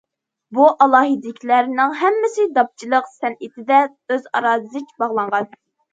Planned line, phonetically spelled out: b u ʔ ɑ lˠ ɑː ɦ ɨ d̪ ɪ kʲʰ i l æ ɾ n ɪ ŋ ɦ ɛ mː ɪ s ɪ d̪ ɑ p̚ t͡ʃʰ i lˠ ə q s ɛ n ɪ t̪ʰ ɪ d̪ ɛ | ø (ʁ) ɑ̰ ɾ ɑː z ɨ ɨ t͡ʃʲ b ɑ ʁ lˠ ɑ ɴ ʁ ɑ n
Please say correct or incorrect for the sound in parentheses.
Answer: incorrect